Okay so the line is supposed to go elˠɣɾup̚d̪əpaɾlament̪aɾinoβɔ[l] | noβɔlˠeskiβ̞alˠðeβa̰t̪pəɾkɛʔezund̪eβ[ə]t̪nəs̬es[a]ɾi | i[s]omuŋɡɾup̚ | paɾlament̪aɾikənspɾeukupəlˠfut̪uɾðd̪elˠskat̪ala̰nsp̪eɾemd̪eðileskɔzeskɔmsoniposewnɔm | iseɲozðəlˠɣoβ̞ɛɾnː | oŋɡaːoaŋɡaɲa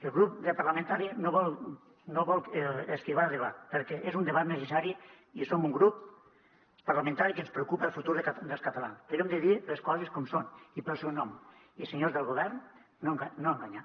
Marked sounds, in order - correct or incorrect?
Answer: correct, incorrect: a, correct, correct

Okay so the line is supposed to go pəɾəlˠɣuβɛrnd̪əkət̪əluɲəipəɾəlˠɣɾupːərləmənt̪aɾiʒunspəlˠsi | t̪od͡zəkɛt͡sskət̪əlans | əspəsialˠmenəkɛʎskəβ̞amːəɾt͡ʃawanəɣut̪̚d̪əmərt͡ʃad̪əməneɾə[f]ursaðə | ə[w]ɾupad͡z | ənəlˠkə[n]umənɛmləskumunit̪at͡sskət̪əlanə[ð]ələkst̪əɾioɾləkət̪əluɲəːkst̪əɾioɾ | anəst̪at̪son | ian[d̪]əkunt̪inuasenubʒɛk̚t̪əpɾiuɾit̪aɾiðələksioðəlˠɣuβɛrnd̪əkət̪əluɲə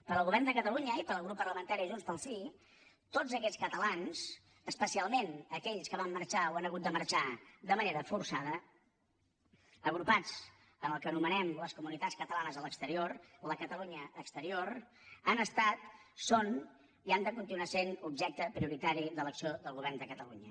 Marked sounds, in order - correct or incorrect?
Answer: correct, incorrect: ɣ, correct, incorrect: z, correct

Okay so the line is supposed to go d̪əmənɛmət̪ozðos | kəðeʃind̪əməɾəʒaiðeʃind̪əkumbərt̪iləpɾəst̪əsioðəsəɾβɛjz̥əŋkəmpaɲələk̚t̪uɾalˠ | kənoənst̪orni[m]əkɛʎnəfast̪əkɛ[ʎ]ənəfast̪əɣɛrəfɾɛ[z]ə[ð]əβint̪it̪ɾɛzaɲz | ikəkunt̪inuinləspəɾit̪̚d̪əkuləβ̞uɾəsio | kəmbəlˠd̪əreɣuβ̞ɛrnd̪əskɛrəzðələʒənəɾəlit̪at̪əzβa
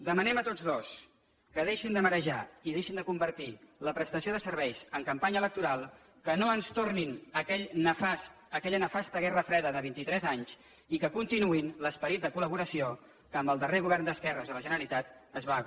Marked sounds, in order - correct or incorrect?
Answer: incorrect: n, correct, incorrect: ð, correct

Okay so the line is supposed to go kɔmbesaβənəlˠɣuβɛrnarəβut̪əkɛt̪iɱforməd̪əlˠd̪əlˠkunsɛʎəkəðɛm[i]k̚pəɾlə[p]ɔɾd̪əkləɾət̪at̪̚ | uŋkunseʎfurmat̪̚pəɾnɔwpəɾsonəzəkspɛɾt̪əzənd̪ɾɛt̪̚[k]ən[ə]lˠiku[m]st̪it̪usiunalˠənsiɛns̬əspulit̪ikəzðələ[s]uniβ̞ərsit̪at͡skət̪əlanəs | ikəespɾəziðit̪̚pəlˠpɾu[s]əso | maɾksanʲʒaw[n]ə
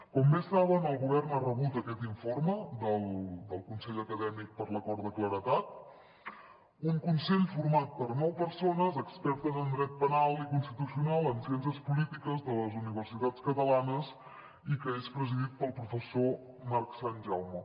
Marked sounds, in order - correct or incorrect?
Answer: correct, incorrect: k, incorrect: p, incorrect: a, incorrect: n, incorrect: z, incorrect: f, incorrect: m

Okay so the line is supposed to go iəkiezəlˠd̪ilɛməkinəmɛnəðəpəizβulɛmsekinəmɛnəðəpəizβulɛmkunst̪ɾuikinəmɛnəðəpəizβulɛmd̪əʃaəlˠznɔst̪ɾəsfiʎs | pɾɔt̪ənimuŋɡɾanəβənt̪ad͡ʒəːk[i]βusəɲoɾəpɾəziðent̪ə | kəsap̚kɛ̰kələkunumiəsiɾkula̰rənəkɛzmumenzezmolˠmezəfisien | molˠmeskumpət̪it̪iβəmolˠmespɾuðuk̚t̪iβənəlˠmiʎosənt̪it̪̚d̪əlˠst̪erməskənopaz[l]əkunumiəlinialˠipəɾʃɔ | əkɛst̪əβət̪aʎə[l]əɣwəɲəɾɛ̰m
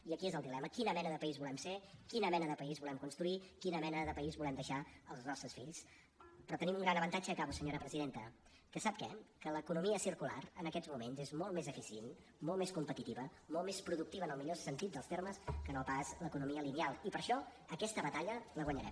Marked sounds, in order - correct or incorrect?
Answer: incorrect: a, correct, correct

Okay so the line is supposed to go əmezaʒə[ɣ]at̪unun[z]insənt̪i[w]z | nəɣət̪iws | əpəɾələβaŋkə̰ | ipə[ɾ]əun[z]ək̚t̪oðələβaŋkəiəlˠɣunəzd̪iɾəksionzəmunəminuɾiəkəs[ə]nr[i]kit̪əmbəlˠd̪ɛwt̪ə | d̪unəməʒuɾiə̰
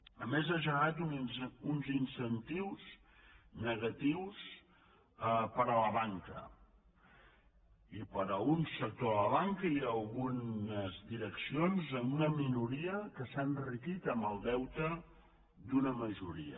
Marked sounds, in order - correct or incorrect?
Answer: correct, correct, correct, correct, incorrect: s, incorrect: a, correct

